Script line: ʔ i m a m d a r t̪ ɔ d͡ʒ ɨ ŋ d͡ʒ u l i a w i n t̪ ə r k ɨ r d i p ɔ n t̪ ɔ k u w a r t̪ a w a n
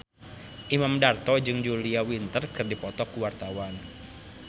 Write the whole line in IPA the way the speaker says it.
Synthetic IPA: ʔ i m a m d a r t̪ ɔ d͡ʒ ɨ ŋ d͡ʒ u l i a w i n t̪ ə r k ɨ r d i p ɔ t̪ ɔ k u w a r t̪ a w a n